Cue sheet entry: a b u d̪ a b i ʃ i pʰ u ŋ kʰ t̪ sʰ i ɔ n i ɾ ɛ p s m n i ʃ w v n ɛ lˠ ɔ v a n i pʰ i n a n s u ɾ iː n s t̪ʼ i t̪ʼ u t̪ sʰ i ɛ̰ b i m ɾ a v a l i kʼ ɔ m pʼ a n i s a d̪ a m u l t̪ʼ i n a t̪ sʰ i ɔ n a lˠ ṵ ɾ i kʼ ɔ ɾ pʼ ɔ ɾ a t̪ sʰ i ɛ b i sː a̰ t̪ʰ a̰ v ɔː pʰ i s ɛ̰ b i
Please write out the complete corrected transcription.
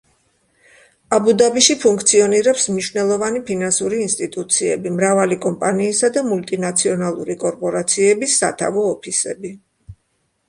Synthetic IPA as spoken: a b u d̪ a b i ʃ i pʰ u ŋ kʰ t̪ sʰ i ɔ n i ɾ ɛ p s m n i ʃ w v n ɛ lˠ ɔ v a n i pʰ i n a n s u ɾ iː n s t̪ʼ i t̪ʼ u t̪ sʰ i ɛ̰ b i m ɾ a v a l i kʼ ɔ m pʼ a n iː s a d̪ a m u l t̪ʼ i n a t̪ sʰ i ɔ n a lˠ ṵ ɾ i kʼ ɔ ɾ pʼ ɔ ɾ a t̪ sʰ i ɛ b i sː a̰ t̪ʰ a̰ v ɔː pʰ i s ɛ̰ b i